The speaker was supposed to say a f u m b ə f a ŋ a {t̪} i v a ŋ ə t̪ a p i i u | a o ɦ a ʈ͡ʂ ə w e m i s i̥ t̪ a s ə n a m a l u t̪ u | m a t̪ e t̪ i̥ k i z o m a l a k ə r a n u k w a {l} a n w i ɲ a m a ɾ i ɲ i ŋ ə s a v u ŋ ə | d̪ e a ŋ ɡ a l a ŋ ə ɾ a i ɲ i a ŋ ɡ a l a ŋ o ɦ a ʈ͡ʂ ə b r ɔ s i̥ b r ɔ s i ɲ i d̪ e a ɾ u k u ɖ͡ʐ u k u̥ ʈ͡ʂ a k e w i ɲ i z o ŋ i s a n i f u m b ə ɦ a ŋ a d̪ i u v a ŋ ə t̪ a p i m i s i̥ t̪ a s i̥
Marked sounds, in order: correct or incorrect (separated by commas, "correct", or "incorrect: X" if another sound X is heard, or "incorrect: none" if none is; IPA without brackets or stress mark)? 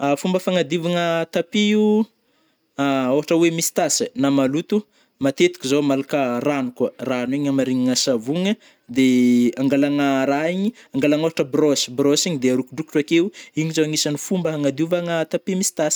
incorrect: d̪, incorrect: r